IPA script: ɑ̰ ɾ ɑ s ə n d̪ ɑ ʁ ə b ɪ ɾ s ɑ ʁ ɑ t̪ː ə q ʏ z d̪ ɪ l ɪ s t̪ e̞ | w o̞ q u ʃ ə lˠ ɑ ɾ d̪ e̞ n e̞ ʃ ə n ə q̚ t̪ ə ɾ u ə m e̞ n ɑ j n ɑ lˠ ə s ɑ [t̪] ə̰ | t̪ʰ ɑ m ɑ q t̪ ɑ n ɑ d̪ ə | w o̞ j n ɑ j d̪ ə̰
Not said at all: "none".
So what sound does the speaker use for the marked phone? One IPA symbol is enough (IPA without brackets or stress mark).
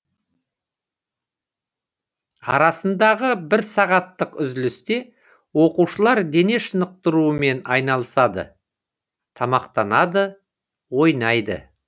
d̪